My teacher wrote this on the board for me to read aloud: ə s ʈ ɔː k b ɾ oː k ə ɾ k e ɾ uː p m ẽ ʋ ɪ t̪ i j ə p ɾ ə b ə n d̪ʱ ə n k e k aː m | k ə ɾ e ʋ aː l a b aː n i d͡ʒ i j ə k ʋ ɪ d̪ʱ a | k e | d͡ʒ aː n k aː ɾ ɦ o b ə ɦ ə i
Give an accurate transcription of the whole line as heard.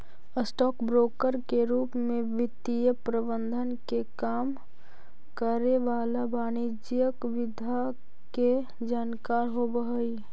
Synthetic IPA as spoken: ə s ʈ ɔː k b ɾ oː k ə ɾ k e ɾ uː p m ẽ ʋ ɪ t̪ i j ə p ɾ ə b ə n d̪ʱ ə n k e k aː m | k ə ɾ e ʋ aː l a b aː n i d͡ʒ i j ə k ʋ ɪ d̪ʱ a | k e | d͡ʒ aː n k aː ɾ ɦ o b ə ɦ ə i